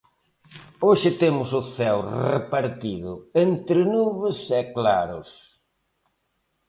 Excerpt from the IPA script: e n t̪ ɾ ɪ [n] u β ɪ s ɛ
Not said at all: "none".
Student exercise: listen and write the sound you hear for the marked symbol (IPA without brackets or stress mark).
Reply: n